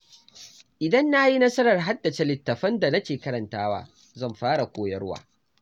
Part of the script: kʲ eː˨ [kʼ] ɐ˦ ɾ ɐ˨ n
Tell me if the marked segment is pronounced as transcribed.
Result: no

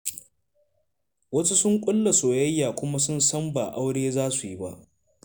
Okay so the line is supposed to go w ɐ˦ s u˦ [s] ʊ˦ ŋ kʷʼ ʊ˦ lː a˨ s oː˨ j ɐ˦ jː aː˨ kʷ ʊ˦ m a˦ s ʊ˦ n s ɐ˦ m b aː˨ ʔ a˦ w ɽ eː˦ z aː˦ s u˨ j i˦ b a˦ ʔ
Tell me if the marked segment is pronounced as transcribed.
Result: yes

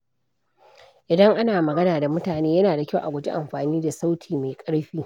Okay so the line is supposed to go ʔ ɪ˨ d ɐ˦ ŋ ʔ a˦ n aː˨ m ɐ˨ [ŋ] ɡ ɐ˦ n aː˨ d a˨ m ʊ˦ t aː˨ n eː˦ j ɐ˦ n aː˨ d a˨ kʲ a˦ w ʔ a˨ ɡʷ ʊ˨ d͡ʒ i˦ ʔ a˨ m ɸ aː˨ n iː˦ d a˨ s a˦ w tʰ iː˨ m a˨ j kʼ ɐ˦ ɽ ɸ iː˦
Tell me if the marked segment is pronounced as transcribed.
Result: no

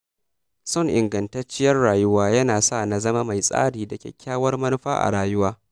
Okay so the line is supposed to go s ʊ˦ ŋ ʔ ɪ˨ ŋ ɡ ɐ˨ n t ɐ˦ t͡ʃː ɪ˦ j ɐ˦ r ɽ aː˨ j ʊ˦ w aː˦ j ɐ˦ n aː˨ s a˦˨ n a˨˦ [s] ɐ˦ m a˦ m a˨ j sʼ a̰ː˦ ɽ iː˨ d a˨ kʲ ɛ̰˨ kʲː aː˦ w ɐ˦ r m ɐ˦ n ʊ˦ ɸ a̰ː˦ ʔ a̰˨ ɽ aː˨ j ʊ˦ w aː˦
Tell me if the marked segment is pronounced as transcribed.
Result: no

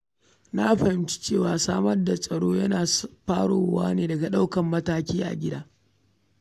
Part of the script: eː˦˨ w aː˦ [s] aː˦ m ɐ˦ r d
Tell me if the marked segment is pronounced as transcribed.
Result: yes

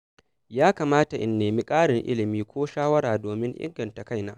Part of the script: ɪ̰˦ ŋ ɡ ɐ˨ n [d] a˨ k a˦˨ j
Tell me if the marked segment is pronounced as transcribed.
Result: no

